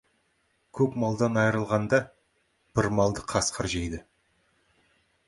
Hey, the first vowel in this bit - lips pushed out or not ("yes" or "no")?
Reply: yes